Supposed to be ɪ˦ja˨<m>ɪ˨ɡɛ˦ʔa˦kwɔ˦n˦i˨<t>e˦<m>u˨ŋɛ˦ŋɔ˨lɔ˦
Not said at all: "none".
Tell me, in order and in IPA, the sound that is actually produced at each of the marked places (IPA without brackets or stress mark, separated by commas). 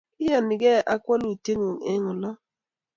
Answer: n, t, ŋ